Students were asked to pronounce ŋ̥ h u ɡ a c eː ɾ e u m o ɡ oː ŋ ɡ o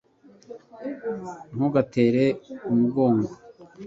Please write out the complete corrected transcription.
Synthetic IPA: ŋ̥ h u ɡ a t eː ɾ e u m u ɡ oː ŋ ɡ o